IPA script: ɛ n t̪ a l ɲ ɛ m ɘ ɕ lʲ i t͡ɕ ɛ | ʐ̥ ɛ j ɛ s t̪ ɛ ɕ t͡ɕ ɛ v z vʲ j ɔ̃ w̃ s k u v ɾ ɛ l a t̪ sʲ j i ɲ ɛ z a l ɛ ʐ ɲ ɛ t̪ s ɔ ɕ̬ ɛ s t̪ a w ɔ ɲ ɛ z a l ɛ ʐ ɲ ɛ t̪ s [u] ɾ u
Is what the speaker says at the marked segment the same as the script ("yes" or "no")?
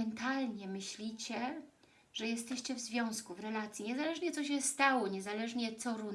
no